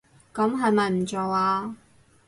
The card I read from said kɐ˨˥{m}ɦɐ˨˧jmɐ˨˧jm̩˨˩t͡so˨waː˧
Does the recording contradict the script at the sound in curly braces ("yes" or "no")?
no